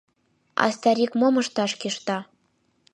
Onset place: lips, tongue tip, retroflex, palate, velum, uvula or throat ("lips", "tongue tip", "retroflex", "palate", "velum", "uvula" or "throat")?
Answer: tongue tip